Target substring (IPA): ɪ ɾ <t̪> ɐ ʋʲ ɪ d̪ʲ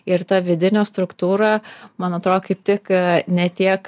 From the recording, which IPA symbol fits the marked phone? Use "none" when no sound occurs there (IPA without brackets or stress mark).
t̪